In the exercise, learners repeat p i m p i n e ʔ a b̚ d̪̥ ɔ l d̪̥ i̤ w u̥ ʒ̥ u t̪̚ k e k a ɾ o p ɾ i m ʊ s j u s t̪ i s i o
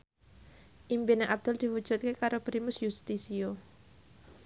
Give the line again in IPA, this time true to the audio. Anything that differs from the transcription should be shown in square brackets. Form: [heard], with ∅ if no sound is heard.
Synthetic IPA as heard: [ʔ] i m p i n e ʔ a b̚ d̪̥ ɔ l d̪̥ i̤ w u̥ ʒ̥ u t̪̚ k e k a ɾ o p ɾ i m ʊ s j u s t̪ i s i o